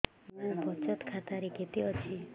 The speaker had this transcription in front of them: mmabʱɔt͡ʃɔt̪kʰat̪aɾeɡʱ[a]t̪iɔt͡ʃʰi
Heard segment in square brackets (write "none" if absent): e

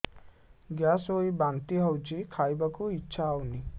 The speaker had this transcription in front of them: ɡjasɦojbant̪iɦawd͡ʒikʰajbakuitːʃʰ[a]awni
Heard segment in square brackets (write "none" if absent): a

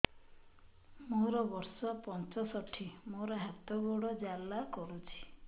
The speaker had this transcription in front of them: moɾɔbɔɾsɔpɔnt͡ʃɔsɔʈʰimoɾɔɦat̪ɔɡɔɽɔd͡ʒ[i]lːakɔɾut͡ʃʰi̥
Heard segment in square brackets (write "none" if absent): a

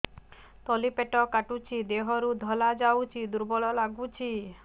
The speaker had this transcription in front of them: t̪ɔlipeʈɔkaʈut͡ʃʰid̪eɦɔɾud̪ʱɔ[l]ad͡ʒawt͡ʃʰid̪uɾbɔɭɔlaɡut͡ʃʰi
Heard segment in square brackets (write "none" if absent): l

